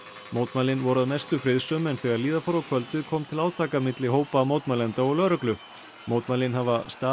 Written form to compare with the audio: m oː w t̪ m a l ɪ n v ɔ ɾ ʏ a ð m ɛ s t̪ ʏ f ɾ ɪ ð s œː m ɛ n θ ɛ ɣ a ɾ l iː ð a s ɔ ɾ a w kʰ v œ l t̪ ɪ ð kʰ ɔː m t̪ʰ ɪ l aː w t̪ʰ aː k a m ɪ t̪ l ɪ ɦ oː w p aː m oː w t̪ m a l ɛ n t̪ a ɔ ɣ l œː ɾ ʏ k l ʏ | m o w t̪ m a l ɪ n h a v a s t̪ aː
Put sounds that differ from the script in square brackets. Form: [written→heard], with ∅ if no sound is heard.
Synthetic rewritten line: m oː w t̪ m a l ɪ n v ɔ ɾ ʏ a ð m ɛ s t̪ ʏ f ɾ ɪ ð s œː m ɛ n θ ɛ ɣ a ɾ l iː ð a [s→f] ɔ ɾ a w kʰ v œ l t̪ ɪ ð kʰ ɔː m t̪ʰ ɪ l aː w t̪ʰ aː k a m ɪ t̪ l ɪ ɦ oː w p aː m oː w t̪ m a l ɛ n t̪ a ɔ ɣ l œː ɾ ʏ k l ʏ | m o w t̪ m a l ɪ n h a v a s t̪ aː

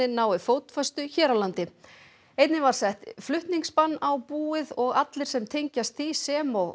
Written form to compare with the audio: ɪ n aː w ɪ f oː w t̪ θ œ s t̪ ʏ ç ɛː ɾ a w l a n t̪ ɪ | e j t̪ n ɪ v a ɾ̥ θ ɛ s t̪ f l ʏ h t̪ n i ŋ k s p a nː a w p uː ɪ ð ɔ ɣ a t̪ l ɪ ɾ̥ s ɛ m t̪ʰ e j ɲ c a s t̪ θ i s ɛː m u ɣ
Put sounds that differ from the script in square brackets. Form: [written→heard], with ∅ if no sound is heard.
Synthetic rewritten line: ɪ n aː w ɪ f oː w t̪ [θ→f] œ s t̪ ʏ ç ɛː ɾ a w l a n t̪ ɪ | e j t̪ n ɪ v a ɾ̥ [θ→s] ɛ [s→h] t̪ f l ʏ h t̪ n i ŋ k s p a nː a w p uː ɪ ð ɔ ɣ a t̪ l ɪ ɾ̥ s ɛ m t̪ʰ e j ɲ c a s t̪ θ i s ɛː m [u→ɔ] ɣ

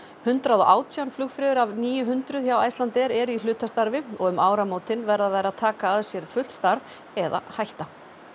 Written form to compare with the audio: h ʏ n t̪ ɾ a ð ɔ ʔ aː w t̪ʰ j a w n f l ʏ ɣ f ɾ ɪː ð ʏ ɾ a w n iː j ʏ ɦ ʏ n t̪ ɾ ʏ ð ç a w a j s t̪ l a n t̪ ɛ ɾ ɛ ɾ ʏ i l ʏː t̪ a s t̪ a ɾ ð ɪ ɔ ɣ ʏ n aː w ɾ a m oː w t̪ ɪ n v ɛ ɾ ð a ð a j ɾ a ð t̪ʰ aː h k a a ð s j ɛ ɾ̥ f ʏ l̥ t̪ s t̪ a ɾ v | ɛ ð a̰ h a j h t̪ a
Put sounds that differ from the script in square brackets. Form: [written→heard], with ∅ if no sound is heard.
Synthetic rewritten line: h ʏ n t̪ ɾ a ð ɔ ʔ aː w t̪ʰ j a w n f l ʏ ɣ f ɾ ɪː ð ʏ ɾ a [w→v] n iː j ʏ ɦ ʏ n t̪ ɾ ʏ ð ç a w a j s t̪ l a n t̪ ɛ ɾ ɛ ɾ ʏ i l ʏː t̪ a s t̪ a ɾ [ð→v] ɪ ɔ ɣ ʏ [n→m] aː w ɾ a m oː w t̪ ɪ n v ɛ ɾ ð a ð a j ɾ a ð t̪ʰ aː [h→∅] k a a ð s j ɛ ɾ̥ f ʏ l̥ t̪ s t̪ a ɾ v | ɛ ð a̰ h a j h t̪ a

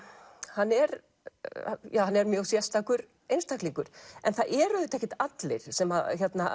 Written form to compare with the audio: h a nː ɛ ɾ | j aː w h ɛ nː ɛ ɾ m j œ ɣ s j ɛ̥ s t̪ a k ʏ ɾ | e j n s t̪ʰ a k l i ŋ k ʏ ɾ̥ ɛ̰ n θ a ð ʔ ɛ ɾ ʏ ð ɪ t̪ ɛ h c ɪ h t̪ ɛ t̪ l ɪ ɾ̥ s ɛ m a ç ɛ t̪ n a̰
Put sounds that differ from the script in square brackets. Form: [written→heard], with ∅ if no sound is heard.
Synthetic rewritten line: h a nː ɛ ɾ | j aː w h [ɛ→a] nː ɛ ɾ m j œ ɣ s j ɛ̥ s t̪ a k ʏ ɾ | e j n s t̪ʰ a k l i ŋ k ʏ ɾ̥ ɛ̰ n θ a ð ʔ ɛ ɾ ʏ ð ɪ t̪ ɛ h c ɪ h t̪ [ɛ→a] t̪ l ɪ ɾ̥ s ɛ m a ç ɛ t̪ n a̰

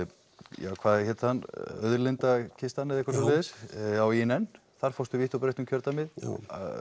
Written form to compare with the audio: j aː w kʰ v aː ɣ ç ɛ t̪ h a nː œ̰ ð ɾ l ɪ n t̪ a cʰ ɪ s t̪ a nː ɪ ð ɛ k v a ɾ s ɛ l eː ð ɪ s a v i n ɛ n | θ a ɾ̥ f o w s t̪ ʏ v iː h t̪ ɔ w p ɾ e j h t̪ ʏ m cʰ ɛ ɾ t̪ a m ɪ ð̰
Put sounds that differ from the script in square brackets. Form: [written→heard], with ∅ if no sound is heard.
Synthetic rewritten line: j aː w kʰ v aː [ɣ→ð] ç ɛ t̪ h a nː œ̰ ð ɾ l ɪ n t̪ a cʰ ɪ s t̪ a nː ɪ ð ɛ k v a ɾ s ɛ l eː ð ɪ s a [v→w] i n ɛ n | θ a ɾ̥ f o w s t̪ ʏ v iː h t̪ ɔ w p ɾ e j h t̪ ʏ m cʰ [ɛ→œ] ɾ t̪ a m ɪ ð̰

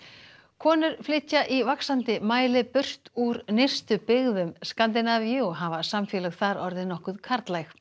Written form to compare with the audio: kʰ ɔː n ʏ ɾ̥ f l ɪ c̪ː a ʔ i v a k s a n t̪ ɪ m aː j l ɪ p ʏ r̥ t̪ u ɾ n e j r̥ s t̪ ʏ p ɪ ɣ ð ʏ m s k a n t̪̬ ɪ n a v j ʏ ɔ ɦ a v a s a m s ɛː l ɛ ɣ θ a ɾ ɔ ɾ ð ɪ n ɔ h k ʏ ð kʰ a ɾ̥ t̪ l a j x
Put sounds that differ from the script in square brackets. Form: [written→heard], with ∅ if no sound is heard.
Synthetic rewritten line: kʰ ɔː n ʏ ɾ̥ f l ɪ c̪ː a ʔ i v a k s a n t̪ ɪ m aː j l ɪ p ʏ r̥ t̪ u ɾ n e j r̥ s t̪ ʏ p ɪ ɣ ð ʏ m s k a n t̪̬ ɪ n a v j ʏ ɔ ɦ a v a s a m [s→f] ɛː l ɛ ɣ θ a ɾ ɔ ɾ ð ɪ n ɔ h k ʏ ð kʰ a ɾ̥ t̪ l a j x

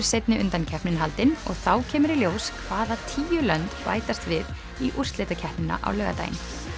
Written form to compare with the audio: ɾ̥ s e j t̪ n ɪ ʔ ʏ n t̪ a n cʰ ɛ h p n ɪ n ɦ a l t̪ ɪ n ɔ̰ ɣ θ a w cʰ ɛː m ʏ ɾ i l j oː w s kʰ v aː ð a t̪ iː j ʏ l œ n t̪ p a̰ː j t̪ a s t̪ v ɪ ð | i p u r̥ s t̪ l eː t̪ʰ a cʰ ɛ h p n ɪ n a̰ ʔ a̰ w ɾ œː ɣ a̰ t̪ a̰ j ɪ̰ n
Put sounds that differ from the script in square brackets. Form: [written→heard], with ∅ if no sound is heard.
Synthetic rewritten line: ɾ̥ s e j t̪ n ɪ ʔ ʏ n t̪ a n cʰ ɛ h p n ɪ n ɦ a l t̪ ɪ n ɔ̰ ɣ θ a w cʰ ɛː m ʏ ɾ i l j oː w s kʰ v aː ð a [t̪→t̪ʰ] iː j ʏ l œ n t̪ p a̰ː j t̪ a s t̪ v ɪ ð | i [p→ʔ] u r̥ s t̪ l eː [t̪ʰ→t̪] a cʰ ɛ h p n ɪ n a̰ ʔ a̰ w [ɾ→l] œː ɣ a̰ t̪ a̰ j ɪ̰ n

